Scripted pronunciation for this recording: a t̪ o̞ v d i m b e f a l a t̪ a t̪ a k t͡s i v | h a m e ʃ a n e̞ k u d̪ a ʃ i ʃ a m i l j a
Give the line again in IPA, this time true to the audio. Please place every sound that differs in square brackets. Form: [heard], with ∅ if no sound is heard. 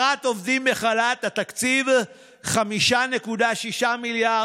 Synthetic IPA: a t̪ o̞ v d i m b e [χ] a l a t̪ a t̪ a k t͡s i v | [χ] a m [i] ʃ a n e̞ k u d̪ a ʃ i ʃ a m i l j a

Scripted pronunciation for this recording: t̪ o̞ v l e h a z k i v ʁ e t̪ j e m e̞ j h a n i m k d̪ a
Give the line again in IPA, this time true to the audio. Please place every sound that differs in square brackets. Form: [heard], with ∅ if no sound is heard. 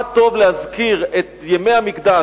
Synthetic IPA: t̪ o̞ v l e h a z k i [∅] ʁ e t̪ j e m e̞ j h a [m] i [∅] k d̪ a

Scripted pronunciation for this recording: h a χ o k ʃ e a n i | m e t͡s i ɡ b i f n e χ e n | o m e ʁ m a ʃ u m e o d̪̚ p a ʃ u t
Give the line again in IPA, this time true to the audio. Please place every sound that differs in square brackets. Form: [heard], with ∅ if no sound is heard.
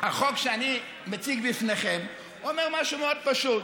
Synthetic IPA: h a χ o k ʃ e a n i | m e t͡s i ɡ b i f n e χ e [m] | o m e ʁ m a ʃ u m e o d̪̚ p a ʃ u t

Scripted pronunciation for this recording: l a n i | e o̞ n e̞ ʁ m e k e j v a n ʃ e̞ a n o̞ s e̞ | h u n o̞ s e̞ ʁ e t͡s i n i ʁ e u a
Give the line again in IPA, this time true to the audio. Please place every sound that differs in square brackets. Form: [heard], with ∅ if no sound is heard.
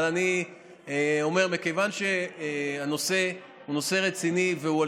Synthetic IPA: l a n i | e o̞ [m] e̞ ʁ m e k e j v a n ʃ e̞ a n o̞ s e̞ | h u n o̞ s e̞ ʁ e t͡s i n i [v] e u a

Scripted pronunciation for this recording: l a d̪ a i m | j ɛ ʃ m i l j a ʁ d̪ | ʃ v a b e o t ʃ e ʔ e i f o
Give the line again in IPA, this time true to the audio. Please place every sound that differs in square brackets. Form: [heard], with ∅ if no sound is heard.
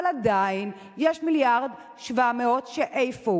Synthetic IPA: l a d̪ a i [n] | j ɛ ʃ m i l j a ʁ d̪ | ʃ v a [m] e o t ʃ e ʔ e [j] f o

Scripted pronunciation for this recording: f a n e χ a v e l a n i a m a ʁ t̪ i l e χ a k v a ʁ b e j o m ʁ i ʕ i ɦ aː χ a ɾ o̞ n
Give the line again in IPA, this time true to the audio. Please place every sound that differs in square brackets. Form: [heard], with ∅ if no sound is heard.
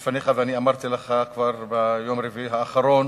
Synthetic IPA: f a n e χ a v e [∅] a n i a m a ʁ t̪ i l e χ a k v a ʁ b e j o m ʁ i [v] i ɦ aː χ a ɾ o̞ n

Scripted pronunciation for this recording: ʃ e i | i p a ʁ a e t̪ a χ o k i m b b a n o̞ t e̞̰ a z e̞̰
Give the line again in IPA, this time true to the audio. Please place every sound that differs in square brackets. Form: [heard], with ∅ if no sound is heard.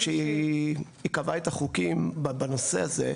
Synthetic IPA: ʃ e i | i [k] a [v] a e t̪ a χ [u] k i m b b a n o̞ [s] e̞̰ a z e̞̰

